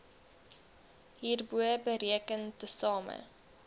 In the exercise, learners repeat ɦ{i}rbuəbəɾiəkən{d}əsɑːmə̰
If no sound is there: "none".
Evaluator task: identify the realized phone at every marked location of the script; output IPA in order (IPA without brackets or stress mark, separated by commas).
iː, t